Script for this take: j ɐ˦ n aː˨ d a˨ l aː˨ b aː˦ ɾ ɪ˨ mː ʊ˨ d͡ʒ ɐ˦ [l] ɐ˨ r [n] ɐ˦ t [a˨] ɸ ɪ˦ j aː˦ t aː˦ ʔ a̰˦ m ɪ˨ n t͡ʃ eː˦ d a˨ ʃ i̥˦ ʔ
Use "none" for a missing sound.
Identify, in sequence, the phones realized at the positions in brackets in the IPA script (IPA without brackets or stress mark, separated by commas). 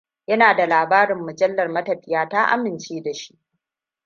lː, m, ɐ˨